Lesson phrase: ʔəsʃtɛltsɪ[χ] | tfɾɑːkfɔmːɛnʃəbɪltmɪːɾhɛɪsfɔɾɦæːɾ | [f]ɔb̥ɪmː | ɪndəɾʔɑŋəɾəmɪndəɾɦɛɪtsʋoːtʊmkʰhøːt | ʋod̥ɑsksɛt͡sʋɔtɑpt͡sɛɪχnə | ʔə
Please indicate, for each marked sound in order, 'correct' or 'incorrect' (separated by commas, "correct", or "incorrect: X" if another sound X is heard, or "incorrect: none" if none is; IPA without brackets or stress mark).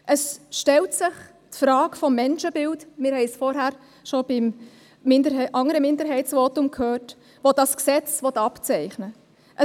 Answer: correct, incorrect: ʃ